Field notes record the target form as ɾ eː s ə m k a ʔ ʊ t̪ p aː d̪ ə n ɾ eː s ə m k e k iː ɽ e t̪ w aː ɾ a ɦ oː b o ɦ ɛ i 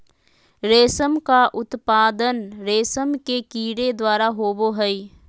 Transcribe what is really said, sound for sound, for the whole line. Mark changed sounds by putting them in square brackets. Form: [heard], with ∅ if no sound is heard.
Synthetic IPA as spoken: ɾ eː s ə m k a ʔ ʊ t̪ p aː d̪ ə n ɾ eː s ə m k e k iː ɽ e [d̪] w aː ɾ a ɦ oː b o ɦ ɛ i